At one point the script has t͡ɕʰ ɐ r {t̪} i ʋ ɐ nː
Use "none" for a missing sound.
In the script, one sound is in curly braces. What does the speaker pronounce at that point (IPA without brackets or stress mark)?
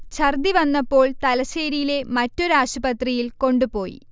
d̪